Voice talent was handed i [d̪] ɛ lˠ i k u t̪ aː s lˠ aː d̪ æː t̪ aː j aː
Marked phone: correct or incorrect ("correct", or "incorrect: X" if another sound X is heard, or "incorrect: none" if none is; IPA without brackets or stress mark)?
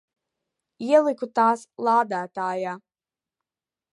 incorrect: none